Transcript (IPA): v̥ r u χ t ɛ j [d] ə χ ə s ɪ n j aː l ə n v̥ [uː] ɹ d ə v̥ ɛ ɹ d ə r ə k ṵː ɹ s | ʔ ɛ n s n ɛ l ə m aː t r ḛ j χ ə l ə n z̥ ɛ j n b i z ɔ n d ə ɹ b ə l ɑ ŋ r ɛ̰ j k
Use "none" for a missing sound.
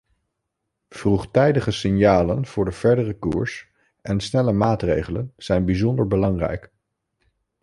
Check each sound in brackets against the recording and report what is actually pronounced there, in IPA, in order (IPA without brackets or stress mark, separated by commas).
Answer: d, ʊː